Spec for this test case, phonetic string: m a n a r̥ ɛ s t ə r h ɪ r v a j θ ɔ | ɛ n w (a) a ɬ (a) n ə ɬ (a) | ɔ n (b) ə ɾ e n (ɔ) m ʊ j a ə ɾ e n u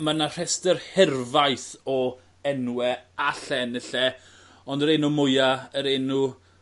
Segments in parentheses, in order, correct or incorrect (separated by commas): incorrect, incorrect, incorrect, incorrect, incorrect